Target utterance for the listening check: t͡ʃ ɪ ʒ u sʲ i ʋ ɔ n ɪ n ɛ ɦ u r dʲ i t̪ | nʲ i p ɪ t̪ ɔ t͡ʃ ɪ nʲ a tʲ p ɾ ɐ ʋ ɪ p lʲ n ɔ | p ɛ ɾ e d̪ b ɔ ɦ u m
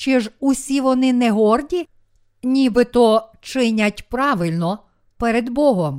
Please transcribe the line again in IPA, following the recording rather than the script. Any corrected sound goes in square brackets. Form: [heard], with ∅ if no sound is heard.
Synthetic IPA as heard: t͡ʃ ɪ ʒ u sʲ i ʋ ɔ n ɪ n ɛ ɦ [ɔ] r dʲ i [∅] | nʲ i [b] ɪ t̪ ɔ t͡ʃ ɪ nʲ [ɐ] tʲ p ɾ [ɑ] ʋ ɪ [∅] lʲ n ɔ | p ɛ ɾ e d̪ b ɔ ɦ [ɔ] m